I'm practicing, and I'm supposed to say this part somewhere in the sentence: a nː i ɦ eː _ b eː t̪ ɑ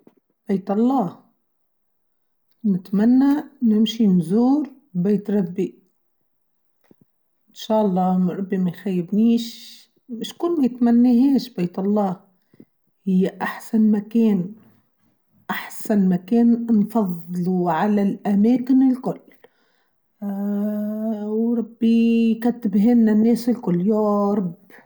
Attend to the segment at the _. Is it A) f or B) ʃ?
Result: B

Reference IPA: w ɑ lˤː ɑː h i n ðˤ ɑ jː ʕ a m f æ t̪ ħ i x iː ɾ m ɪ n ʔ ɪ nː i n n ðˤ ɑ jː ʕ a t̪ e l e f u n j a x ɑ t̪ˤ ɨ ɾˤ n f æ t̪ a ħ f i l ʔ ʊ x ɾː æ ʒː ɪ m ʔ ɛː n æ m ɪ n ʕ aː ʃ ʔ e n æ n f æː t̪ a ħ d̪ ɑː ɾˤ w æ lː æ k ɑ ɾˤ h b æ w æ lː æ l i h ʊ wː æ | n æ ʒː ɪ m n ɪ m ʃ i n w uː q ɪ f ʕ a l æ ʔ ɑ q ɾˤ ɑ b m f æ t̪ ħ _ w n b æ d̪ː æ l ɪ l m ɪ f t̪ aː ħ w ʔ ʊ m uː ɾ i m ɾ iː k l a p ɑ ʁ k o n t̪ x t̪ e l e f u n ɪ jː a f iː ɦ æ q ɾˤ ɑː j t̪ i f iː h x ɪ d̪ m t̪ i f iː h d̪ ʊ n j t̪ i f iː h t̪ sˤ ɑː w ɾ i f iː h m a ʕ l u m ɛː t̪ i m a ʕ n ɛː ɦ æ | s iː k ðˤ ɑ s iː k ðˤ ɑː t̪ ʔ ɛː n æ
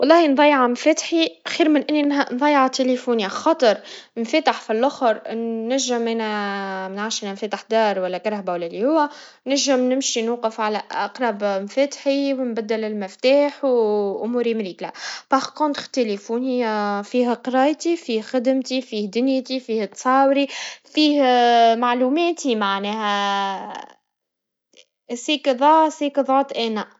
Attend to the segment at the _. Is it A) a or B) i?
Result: B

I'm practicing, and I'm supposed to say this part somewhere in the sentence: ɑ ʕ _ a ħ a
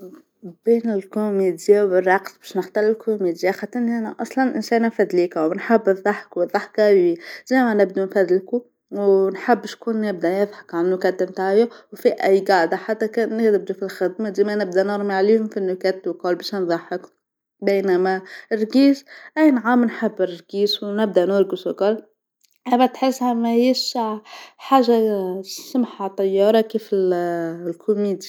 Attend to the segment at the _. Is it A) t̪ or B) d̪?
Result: B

